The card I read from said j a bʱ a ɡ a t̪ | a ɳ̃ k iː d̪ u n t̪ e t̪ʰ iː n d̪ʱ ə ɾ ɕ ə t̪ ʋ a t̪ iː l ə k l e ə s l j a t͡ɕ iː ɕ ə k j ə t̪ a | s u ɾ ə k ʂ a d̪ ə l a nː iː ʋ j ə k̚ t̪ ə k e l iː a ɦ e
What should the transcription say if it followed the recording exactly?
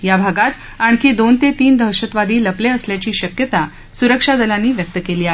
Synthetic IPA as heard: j a bʱ a ɡ a t̪ | a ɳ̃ k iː d̪ o n t̪ e t̪ iː n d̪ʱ ə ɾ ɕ ə t̪ ʋ a d̪ iː l ə p l e ə s l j a t͡ɕ iː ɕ ə k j ə t̪ a | s u ɾ ə k ʂ a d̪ ə l a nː iː ʋ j ə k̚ t̪ ə k e l iː a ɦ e

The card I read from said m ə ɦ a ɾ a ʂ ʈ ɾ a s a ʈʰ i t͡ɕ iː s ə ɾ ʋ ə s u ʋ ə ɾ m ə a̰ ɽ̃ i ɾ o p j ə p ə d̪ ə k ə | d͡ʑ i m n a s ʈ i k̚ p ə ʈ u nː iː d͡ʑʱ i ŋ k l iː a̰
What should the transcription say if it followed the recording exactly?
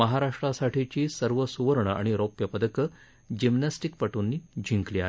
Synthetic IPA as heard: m ə ɦ a ɾ a ʂ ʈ ɾ a s a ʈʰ i t͡ɕ iː s ə ɾ ʋ ə s u ʋ ə ɾ ɳ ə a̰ ɽ̃ i ɾ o p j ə p ə d̪ ə k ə | d͡ʑ i m n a s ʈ i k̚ p ə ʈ u nː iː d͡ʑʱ i ŋ k l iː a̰

